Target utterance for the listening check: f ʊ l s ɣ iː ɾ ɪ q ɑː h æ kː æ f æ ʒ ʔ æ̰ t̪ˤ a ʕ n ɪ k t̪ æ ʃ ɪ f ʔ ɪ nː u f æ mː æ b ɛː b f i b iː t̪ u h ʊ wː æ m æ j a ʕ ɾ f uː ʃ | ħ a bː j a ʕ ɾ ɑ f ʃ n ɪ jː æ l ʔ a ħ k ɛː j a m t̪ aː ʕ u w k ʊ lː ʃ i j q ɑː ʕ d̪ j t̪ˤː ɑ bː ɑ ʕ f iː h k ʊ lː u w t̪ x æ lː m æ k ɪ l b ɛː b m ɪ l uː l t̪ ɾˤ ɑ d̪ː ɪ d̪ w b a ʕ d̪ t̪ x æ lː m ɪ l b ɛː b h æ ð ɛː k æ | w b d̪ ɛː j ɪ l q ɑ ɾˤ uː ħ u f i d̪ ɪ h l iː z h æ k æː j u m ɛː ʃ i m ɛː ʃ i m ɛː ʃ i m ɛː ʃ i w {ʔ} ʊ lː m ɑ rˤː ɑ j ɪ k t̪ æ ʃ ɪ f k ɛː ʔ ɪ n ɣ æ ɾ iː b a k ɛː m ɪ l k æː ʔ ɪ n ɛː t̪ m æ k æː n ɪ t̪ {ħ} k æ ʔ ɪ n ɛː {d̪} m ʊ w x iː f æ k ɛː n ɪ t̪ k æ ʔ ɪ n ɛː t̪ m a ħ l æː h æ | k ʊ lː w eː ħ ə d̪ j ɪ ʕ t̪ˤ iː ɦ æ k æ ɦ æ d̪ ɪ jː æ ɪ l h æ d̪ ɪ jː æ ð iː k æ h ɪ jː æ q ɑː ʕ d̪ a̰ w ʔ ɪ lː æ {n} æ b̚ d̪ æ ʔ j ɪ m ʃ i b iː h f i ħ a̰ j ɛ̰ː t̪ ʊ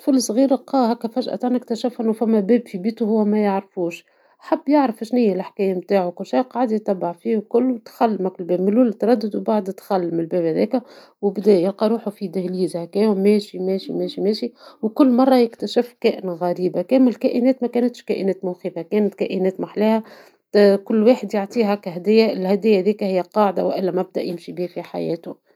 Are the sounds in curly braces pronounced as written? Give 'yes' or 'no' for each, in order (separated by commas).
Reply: no, no, no, no